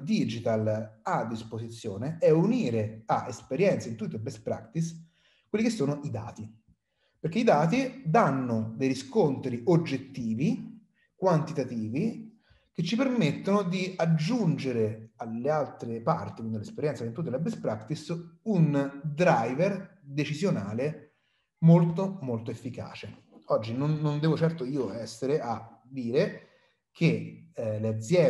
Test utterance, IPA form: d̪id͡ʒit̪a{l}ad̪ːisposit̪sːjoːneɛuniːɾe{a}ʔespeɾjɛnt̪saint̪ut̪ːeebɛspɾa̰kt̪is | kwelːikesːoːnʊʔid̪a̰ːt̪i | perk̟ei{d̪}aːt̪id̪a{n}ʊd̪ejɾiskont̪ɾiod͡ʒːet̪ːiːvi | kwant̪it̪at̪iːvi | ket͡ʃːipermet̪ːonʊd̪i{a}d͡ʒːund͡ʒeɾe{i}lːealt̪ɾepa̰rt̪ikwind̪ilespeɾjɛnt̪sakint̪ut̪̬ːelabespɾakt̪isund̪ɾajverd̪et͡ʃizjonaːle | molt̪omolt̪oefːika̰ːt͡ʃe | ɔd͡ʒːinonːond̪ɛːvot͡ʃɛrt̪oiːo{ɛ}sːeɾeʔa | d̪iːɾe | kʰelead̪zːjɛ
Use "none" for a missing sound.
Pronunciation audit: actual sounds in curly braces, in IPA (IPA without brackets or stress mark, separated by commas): l, a, d̪, nː, a, a, ɛ